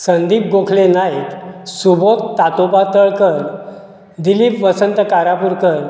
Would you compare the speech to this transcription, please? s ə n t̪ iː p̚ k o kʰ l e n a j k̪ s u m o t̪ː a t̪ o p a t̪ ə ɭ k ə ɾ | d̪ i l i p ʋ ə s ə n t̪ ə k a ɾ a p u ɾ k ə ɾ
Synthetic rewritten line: s ə n d̪ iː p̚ ɡ o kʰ l e n a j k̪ s u b o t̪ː a t̪ o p a t̪ ə ɭ k ə ɾ | d̪ i l i p ʋ ə s ə n t̪ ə k a ɾ a p u ɾ k ə ɾ